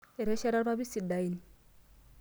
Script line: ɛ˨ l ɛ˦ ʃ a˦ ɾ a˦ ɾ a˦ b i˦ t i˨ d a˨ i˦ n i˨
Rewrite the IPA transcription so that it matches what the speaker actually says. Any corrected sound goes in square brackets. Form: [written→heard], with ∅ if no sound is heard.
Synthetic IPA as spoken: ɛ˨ [l→ɾ] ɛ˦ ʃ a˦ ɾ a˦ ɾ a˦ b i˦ [t→s] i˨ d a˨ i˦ n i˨